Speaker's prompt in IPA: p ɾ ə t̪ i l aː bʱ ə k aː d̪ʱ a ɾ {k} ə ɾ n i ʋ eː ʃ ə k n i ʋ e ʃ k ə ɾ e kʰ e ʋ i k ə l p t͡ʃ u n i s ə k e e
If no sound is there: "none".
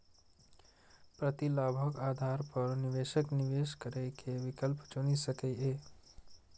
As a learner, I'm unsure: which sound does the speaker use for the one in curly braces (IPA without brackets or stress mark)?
p